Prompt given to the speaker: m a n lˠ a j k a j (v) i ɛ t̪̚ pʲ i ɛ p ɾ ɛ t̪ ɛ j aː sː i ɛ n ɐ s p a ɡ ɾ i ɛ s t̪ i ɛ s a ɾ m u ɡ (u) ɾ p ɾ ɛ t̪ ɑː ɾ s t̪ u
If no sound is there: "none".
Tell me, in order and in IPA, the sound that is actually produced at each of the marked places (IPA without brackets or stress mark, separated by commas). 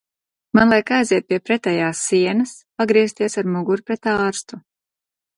z, u